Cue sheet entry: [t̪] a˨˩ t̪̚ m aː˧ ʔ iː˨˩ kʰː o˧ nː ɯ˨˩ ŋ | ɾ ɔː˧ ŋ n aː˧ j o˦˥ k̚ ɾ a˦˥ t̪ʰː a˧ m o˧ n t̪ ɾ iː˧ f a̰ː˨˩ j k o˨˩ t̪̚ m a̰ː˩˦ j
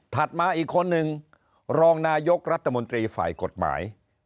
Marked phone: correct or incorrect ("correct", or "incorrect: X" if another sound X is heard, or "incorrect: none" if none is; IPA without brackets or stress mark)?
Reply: incorrect: t̪ʰ